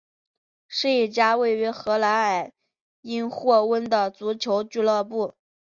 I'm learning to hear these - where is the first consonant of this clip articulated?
retroflex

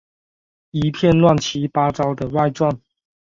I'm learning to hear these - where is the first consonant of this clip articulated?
lips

